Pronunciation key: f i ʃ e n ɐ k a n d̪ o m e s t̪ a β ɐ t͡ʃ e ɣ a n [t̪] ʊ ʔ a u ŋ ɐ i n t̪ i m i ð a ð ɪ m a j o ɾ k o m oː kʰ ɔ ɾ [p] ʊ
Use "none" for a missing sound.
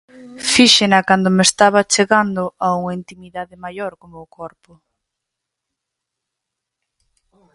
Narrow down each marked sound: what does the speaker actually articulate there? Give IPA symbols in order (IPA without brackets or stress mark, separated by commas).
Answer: d̪, p